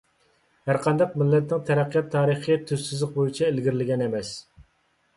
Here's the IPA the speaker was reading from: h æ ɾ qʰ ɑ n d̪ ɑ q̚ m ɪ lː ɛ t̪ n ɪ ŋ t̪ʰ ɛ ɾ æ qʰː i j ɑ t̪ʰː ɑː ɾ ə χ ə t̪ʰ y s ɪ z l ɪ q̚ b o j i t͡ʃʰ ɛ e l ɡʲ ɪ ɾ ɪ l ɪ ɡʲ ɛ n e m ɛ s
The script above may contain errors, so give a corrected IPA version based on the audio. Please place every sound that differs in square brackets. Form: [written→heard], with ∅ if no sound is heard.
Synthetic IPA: h æ ɾ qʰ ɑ n d̪ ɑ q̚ m ɪ lː ɛ t̪ n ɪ ŋ t̪ʰ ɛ ɾ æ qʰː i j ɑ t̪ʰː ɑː ɾ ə χ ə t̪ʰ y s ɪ z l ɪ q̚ b o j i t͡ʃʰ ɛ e l ɡʲ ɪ ɾ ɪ l ɪ ɡʲ ɛ n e m ɛ s